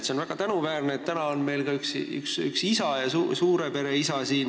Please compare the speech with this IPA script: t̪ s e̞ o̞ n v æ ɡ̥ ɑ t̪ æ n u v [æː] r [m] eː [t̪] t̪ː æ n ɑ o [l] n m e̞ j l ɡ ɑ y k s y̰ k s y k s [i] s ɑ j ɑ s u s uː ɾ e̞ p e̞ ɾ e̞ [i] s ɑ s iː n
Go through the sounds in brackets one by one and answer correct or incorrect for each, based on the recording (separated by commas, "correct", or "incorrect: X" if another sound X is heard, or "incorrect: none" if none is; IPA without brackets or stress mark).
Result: correct, incorrect: n, correct, incorrect: none, correct, correct